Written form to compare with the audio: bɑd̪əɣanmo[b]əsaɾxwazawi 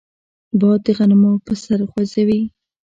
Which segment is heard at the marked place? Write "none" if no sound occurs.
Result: p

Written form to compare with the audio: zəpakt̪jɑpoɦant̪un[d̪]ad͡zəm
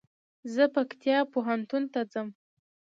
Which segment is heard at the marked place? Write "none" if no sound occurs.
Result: t̪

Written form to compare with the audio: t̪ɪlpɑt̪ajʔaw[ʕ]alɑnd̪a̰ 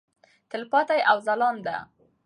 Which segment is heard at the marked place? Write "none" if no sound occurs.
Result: z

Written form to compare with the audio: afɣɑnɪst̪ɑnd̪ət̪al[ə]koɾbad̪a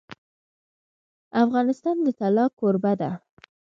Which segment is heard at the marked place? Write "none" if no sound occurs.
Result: ɑ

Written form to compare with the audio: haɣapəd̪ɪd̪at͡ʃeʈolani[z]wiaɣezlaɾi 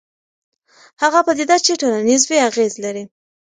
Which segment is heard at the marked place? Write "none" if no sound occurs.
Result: z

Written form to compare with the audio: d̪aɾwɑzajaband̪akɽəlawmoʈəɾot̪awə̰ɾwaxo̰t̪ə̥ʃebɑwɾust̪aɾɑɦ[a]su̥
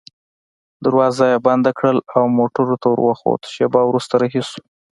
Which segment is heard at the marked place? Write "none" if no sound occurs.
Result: i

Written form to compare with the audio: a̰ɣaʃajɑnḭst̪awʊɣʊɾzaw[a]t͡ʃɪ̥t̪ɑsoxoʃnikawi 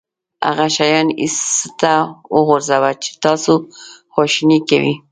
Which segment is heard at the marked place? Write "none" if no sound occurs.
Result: a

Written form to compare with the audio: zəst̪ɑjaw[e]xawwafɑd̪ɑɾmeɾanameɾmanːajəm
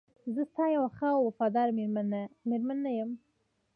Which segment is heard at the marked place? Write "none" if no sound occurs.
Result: a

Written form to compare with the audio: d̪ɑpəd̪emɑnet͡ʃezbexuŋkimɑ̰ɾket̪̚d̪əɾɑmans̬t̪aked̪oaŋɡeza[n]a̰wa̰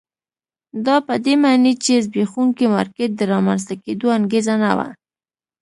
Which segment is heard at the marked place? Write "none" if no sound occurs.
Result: n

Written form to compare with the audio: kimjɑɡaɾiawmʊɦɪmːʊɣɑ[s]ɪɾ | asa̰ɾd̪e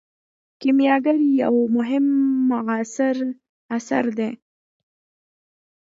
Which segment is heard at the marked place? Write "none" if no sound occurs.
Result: s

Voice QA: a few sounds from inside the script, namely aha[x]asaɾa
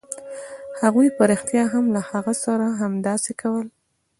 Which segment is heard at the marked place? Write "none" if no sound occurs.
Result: ɣ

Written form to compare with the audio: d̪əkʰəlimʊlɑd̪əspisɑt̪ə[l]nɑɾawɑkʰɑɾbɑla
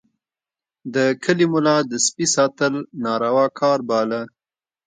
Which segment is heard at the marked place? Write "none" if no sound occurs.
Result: l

